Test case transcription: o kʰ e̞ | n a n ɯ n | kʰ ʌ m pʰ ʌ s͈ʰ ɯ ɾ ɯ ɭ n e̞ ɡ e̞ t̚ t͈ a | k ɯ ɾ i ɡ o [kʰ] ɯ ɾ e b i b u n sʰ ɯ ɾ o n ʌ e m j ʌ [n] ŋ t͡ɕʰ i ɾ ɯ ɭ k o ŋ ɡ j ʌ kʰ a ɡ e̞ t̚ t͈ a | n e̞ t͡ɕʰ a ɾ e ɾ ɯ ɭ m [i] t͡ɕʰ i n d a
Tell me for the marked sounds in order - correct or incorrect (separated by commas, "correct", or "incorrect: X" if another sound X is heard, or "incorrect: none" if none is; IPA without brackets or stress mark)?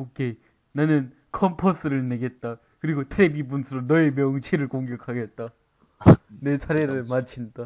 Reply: incorrect: tʰ, incorrect: none, incorrect: a